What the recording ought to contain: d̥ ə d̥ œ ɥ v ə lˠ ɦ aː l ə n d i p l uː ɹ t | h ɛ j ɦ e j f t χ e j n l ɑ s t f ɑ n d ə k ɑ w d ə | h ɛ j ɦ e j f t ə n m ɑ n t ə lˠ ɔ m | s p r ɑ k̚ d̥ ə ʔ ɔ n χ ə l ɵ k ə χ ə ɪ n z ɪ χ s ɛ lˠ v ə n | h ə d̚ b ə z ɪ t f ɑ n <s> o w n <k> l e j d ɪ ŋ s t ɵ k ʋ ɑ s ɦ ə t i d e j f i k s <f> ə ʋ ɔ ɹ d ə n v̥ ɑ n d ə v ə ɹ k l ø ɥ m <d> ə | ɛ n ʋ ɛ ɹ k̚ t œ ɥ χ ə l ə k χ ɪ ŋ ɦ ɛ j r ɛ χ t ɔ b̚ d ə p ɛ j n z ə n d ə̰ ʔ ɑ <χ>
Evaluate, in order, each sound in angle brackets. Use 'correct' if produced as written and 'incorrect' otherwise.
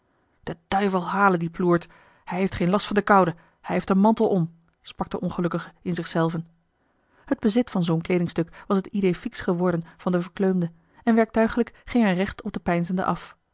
incorrect, correct, incorrect, correct, incorrect

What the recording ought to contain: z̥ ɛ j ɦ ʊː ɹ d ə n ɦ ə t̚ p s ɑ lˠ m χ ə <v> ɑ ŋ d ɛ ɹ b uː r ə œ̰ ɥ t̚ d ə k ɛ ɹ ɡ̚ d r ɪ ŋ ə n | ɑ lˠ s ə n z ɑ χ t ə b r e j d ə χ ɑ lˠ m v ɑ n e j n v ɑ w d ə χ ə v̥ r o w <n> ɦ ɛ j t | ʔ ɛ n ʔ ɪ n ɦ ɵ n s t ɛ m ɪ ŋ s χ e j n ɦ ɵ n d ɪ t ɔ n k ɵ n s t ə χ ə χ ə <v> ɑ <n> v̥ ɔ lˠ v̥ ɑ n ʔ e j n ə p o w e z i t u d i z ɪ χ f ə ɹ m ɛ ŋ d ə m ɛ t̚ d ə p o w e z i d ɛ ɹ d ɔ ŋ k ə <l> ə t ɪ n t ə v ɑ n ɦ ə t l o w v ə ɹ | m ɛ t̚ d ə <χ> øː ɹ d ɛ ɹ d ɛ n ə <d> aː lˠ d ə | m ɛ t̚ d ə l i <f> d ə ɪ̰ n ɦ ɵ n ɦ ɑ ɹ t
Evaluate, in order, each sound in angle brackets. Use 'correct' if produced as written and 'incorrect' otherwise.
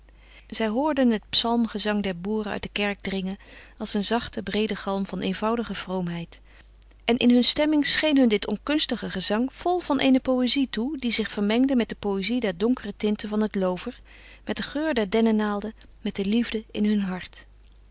incorrect, incorrect, incorrect, incorrect, incorrect, correct, incorrect, incorrect

